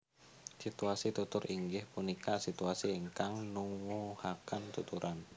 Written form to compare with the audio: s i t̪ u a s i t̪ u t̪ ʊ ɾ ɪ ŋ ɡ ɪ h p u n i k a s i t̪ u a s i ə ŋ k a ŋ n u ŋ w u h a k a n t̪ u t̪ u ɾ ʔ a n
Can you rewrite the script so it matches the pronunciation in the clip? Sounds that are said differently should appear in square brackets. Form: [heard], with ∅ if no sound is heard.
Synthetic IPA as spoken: s i t̪ u a s i t̪ u t̪ ʊ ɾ [i] ŋ ɡ ɪ h p u n i k a s i t̪ u a s i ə ŋ k a ŋ n u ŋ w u h a k a n t̪ u t̪ u ɾ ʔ a n